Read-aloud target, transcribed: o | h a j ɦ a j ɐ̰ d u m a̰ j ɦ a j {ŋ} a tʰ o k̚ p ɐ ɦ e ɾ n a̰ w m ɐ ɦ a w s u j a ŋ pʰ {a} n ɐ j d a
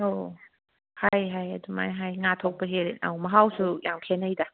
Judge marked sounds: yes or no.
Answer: yes, no

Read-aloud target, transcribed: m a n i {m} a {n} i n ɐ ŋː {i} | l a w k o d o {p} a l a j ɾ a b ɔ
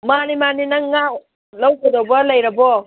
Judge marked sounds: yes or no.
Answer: yes, yes, no, no

